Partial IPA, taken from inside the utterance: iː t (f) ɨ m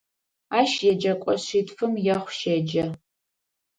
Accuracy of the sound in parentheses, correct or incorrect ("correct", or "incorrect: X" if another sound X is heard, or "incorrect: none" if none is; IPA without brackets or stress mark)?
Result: correct